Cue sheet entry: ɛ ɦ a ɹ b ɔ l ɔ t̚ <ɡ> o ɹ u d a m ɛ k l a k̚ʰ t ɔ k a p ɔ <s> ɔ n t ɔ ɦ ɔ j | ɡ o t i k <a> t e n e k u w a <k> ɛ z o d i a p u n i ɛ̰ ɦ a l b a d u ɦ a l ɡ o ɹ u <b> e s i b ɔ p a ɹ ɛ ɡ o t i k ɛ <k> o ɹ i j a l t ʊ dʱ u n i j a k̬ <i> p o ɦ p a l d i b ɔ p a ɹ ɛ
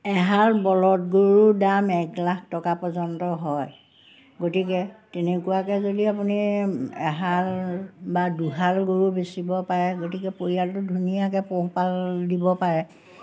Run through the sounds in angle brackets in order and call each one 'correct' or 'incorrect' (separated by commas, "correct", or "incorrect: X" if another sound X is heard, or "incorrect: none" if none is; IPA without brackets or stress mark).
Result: correct, incorrect: z, incorrect: ɛ, correct, correct, incorrect: p, incorrect: ɛ